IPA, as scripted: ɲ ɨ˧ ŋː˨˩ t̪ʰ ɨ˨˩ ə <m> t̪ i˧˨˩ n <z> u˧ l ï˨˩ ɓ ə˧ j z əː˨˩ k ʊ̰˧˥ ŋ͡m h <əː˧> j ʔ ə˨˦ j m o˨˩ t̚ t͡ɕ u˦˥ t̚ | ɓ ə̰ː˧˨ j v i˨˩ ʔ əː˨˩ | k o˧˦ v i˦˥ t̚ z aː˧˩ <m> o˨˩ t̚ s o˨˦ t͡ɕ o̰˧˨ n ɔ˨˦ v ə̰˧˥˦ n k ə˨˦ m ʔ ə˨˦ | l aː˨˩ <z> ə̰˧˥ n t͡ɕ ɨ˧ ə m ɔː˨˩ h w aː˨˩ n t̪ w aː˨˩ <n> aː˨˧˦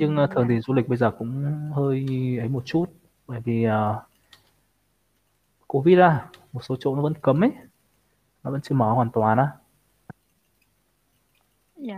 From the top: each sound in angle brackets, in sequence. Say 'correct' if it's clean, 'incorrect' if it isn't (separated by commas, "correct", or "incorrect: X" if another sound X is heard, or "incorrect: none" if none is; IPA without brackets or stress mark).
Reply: incorrect: ŋ, correct, correct, correct, incorrect: v, correct